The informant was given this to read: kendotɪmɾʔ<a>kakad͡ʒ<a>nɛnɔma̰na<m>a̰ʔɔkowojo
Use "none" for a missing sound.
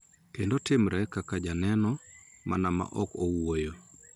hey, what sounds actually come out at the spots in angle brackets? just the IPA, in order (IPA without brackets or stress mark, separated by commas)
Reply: ɛ, a, m